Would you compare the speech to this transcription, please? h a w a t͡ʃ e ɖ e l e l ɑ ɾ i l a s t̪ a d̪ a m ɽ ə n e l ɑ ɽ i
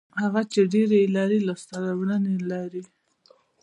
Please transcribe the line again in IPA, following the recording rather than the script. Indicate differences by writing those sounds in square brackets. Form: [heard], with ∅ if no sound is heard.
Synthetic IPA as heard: h a [ɣ] a t͡ʃ e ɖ e [ɾ] e l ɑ ɾ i l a s t̪ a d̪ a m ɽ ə n e l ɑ [ɾ] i